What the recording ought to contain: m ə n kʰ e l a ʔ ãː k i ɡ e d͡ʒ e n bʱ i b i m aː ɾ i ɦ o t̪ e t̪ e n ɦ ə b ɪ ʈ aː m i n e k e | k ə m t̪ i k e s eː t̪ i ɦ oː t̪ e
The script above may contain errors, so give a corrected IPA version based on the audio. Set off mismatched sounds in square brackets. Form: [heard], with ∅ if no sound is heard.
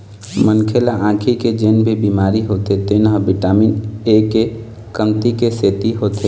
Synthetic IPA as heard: m ə n kʰ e l a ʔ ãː [kʰ] i [k] e d͡ʒ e n bʱ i b i m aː ɾ i ɦ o t̪ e t̪ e n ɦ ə b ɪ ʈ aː m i n e k e | k ə m t̪ i k e s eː t̪ i ɦ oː t̪ e

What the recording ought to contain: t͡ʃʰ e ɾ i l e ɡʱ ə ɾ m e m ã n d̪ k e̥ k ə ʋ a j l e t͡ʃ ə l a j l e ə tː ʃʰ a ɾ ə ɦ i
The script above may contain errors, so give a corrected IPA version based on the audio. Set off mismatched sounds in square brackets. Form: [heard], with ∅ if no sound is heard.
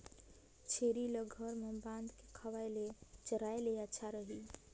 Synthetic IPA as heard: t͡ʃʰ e ɾ i l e ɡʱ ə ɾ m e [b] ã n d̪ k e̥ [kʰ] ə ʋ a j l e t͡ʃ ə [ɾ] a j l e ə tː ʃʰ a ɾ ə ɦ i

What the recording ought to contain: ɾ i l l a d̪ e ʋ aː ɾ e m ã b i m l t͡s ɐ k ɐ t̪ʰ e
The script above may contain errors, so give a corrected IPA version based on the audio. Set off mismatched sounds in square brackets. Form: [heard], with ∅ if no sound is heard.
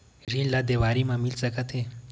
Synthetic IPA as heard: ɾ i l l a d̪ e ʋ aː ɾ [i] m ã [m] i [∅] l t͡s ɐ k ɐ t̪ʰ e

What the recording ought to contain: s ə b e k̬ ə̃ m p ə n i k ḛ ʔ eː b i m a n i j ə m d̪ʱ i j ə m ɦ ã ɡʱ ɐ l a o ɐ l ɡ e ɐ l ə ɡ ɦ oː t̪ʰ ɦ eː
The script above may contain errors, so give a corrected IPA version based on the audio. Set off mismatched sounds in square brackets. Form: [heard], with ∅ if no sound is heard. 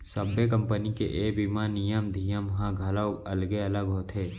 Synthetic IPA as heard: s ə b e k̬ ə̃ m p ə n i k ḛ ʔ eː b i m a n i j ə m d̪ʱ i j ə m ɦ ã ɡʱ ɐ l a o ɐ l ɡ e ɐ l ə ɡ ɦ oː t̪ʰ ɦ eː

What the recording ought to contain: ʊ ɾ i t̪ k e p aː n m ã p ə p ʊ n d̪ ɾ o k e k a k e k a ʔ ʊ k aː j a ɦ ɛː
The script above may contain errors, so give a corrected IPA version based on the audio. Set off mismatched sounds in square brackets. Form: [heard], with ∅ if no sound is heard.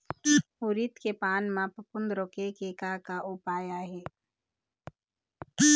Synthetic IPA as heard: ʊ ɾ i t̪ k e p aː n m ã p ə p ʊ n d̪ ɾ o k e k [e] k [a] k a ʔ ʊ [p] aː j a ɦ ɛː

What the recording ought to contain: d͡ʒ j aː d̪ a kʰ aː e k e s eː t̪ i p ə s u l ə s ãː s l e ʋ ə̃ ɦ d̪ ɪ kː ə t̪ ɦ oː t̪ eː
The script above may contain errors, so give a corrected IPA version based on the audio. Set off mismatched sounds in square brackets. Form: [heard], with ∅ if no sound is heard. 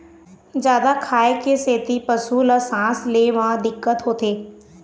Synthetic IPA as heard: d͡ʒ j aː d̪ a kʰ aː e k e s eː t̪ i p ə s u l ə s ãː s l e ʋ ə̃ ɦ d̪ ɪ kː ə t̪ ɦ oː t̪ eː

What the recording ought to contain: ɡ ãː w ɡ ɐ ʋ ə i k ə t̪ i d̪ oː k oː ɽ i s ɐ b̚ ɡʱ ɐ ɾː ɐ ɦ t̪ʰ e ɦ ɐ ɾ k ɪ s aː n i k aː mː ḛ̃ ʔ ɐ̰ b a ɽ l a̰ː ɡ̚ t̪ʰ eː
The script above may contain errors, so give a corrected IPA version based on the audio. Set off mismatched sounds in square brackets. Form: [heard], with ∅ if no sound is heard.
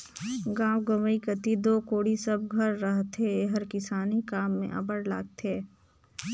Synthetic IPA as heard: ɡ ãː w ɡ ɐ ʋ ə i k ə t̪ i d̪ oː k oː ɽ i s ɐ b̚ ɡʱ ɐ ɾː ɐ ɦ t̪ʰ e ɦ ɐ ɾ k ɪ s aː n i k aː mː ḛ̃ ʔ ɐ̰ b [ə] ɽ l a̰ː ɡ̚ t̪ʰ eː

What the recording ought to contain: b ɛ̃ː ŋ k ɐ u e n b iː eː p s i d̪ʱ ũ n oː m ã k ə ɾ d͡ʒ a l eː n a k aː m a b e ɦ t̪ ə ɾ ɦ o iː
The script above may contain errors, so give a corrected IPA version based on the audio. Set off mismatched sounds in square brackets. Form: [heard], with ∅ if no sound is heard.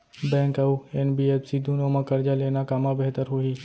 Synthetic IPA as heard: b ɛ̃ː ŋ k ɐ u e n b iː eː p s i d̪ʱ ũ n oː m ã k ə ɾ d͡ʒ a l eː n a k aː m a b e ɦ t̪ ə ɾ ɦ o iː

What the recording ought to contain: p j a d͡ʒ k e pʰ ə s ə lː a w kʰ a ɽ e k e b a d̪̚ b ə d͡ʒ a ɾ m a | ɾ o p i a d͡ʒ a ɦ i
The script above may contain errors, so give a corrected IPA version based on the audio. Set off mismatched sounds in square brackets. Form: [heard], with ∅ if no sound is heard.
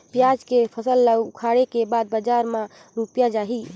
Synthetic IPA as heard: p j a d͡ʒ k e pʰ ə s ə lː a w kʰ a ɽ e k e b a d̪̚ b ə d͡ʒ a ɾ m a | ɾ [u] p [j] a d͡ʒ a ɦ i

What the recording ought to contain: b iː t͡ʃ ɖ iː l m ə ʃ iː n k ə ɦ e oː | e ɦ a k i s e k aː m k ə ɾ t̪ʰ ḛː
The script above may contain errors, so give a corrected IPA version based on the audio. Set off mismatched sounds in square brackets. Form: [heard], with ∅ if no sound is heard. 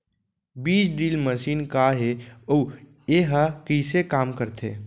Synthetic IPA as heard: b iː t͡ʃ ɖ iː l m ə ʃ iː n k [a] ɦ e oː | e ɦ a k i s e k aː m k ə ɾ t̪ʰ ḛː

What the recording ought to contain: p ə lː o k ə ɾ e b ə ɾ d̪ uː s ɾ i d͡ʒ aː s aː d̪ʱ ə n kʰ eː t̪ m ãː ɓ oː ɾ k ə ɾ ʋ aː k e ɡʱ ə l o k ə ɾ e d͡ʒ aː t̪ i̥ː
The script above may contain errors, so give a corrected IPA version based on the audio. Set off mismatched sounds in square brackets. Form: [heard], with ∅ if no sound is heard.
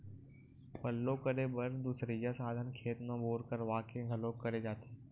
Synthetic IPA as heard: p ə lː o k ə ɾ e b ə ɾ d̪ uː s ɾ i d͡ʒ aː s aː d̪ʱ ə n kʰ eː t̪ m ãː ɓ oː ɾ k ə ɾ ʋ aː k e ɡʱ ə l o k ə ɾ e d͡ʒ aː t̪ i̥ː

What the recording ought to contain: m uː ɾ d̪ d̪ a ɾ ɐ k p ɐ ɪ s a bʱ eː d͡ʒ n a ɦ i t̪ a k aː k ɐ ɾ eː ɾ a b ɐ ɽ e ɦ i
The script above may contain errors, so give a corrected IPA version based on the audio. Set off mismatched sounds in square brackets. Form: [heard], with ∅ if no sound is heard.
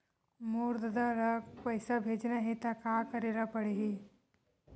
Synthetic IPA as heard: m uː ɾ d̪ d̪ a ɾ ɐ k p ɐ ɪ s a bʱ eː d͡ʒ n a ɦ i t̪ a k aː k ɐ ɾ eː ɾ a [p] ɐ ɽ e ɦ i

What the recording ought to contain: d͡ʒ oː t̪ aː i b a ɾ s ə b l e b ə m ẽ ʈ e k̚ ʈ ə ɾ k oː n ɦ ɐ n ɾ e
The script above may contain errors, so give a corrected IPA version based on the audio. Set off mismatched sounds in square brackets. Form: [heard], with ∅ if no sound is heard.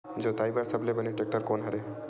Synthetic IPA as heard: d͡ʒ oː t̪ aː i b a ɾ s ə b l e b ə [n] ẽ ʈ e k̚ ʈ ə ɾ k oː n ɦ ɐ [∅] ɾ e

